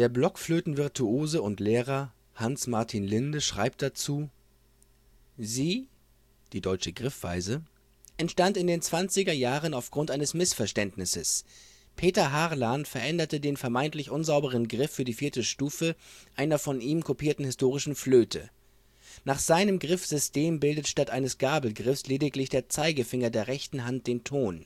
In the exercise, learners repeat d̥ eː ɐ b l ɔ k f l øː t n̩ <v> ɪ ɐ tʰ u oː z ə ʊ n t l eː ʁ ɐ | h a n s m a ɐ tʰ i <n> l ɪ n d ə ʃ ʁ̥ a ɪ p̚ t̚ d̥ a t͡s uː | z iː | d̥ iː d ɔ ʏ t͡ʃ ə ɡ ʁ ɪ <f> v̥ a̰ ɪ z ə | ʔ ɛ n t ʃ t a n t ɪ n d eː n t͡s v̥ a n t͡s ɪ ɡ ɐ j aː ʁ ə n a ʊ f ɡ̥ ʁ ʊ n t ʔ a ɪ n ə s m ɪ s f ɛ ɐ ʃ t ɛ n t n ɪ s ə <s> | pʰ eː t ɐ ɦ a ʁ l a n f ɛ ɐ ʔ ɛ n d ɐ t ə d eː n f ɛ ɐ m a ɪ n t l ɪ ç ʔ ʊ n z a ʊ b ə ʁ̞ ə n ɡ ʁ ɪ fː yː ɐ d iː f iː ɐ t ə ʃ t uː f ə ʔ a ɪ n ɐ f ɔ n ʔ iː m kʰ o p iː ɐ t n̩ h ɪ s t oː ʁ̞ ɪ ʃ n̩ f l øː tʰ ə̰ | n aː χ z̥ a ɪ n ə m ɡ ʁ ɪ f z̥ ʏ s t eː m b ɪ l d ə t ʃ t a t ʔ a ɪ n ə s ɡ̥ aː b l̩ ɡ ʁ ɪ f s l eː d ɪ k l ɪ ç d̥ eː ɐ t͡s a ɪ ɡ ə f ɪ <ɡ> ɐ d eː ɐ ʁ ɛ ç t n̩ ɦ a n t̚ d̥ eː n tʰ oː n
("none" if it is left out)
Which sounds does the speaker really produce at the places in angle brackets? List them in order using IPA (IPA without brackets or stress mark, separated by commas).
v, n, f, s, ŋ